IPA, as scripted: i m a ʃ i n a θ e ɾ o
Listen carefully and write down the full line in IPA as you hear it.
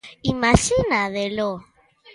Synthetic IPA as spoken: i m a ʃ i n a ð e l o